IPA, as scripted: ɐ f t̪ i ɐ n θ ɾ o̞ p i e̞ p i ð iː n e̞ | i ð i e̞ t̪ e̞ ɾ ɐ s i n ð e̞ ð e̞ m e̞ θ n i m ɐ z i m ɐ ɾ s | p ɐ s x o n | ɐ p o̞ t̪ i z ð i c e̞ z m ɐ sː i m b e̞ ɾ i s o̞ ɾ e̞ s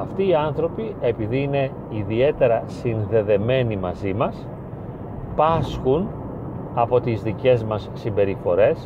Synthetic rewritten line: ɐ f t̪ iː ɐ n θ ɾ o̞ p i e̞ p i ð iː n e̞ | i ð i e̞ t̪ e̞ ɾ ɐ s i n ð e̞ ð e̞ m e̞ n i m ɐ z i m ɐ s | p ɐ s x u n | ɐ p o̞ t̪ i z ð i c e̞ z m ɐ sː i m b e̞ ɾ i f o̞ ɾ e̞ s